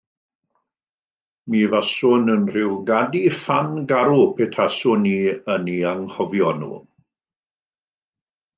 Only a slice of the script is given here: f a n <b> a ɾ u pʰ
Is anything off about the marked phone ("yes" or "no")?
yes